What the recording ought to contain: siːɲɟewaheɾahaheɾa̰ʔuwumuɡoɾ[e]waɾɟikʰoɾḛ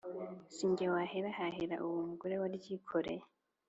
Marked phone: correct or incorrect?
correct